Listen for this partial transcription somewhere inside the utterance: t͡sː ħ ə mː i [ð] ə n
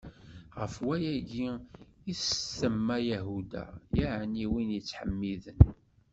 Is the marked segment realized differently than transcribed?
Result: no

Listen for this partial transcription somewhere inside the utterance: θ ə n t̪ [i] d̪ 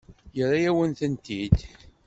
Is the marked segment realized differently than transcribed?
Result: no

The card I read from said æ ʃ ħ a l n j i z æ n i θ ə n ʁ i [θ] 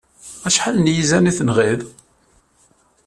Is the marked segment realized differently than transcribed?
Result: yes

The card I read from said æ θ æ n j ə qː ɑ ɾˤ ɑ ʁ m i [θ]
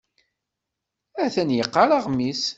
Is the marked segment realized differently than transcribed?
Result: yes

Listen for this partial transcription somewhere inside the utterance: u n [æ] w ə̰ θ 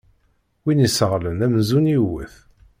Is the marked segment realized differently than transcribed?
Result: yes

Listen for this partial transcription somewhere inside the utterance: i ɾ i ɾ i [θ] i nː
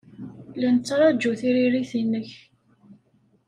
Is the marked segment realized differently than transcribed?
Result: no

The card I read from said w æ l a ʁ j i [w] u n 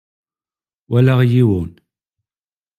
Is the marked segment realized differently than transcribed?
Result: no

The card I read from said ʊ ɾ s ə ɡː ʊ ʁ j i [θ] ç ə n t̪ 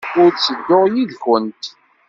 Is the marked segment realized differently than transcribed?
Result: yes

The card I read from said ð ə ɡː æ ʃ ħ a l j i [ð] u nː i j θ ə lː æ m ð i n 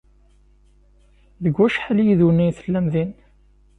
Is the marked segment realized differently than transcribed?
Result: no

